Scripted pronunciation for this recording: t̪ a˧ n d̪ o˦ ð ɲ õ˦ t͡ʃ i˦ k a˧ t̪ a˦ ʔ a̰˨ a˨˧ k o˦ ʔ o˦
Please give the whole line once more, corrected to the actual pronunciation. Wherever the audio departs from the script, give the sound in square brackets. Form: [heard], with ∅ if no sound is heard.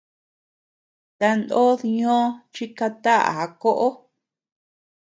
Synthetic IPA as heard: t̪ a˧ n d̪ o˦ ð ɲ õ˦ t͡ʃ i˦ k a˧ t̪ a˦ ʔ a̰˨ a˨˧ k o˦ ʔ o˦